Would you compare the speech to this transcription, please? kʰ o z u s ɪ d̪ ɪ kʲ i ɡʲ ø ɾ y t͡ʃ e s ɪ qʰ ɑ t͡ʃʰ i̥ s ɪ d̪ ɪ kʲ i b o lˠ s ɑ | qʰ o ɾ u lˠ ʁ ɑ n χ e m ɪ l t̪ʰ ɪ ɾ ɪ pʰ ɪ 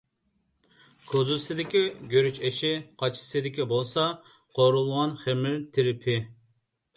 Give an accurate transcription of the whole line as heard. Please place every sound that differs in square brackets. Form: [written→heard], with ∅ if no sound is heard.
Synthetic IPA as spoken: kʰ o z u s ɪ d̪ ɪ kʲ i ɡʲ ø ɾ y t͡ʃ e [s→ʃ] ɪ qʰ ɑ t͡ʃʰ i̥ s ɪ d̪ ɪ kʲ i b o lˠ s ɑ | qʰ o ɾ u lˠ ʁ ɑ n χ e m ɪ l t̪ʰ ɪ ɾ ɪ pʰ ɪ